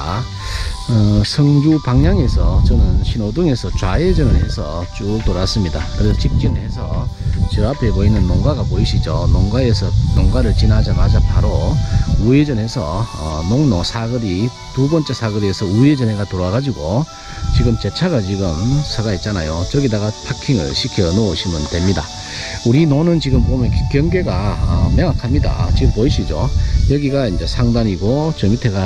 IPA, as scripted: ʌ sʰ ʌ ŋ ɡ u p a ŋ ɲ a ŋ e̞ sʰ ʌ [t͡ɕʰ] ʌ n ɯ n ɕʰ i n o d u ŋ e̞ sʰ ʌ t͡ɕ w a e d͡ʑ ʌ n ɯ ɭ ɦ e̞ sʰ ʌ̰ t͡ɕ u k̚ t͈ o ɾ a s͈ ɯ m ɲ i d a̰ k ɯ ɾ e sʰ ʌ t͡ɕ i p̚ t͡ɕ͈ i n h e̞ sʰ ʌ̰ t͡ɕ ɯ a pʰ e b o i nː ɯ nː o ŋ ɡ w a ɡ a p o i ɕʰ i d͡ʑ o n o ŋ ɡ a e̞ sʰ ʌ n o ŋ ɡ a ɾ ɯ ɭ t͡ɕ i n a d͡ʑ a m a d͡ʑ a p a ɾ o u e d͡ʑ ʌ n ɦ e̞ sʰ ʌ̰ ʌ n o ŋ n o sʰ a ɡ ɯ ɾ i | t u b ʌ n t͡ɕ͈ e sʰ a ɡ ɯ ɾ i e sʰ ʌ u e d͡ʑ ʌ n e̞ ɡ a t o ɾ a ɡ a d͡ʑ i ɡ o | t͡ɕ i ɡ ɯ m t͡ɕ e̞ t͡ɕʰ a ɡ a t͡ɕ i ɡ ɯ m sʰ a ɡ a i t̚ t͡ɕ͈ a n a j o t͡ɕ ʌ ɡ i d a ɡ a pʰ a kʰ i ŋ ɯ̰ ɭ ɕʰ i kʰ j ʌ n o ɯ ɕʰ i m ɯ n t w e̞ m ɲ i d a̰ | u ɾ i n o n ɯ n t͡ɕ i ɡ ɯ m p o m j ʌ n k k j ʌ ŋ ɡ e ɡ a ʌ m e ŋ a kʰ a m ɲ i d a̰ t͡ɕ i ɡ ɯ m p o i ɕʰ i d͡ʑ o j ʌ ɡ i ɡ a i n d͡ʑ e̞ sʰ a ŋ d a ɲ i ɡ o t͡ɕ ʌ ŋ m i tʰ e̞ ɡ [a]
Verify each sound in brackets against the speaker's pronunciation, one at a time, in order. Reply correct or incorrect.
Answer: incorrect: t͡ɕ, correct

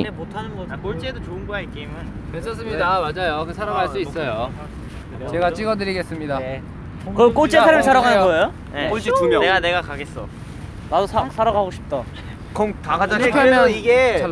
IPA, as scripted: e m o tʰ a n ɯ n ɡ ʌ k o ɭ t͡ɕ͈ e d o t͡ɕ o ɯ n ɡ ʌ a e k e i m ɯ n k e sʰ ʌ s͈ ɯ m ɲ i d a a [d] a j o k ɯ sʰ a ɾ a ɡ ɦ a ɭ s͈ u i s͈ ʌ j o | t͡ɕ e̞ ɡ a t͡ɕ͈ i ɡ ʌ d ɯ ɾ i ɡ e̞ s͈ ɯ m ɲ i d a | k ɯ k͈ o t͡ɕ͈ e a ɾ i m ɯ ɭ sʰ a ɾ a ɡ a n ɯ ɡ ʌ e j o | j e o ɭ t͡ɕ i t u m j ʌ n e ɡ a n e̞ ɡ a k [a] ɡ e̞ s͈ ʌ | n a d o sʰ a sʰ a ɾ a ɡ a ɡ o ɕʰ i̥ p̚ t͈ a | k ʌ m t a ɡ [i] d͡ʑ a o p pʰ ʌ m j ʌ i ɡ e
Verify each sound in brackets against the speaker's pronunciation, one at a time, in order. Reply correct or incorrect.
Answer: incorrect: d͡ʑ, correct, incorrect: a

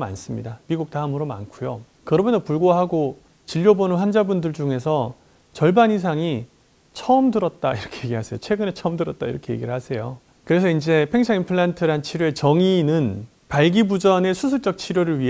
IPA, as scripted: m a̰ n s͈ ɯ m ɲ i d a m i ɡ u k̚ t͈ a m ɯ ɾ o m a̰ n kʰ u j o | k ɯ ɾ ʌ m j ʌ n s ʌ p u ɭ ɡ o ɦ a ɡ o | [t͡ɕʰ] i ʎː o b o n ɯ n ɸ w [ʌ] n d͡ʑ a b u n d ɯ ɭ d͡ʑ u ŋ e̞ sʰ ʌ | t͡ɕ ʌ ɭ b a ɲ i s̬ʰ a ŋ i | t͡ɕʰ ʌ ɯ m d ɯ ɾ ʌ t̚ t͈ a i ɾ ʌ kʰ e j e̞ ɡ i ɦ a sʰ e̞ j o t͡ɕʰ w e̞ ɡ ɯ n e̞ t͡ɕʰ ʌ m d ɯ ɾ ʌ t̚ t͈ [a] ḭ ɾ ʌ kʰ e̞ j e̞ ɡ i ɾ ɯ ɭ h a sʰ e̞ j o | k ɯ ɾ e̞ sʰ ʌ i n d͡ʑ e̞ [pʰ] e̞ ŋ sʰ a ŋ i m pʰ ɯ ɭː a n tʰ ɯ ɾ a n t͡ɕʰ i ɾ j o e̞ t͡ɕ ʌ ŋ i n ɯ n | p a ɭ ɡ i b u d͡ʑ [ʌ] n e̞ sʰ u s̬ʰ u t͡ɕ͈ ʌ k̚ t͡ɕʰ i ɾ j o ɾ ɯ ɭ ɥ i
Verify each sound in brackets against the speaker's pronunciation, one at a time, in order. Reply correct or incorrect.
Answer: incorrect: t͡ɕ, incorrect: a, correct, correct, correct

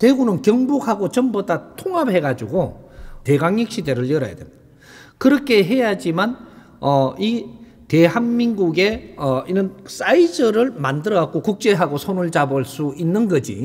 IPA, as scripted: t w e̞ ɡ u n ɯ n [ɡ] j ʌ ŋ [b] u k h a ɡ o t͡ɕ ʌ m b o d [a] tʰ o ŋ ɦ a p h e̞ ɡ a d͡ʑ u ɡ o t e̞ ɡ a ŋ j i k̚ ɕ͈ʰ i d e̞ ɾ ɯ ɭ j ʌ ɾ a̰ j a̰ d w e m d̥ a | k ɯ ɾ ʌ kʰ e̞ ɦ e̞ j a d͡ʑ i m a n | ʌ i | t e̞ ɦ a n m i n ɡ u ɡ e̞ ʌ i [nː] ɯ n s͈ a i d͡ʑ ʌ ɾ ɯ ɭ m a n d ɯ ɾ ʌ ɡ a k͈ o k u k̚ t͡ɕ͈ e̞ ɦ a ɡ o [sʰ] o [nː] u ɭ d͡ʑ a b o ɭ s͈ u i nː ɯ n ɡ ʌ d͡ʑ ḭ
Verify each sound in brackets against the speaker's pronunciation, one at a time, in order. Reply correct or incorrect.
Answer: incorrect: k, correct, correct, incorrect: n, correct, incorrect: n

